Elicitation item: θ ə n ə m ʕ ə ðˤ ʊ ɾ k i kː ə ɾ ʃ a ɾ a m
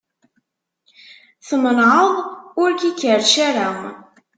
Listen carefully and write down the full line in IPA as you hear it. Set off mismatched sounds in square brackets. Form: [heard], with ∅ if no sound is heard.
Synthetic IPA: θ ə [m] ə [n] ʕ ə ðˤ ʊ ɾ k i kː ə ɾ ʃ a ɾ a m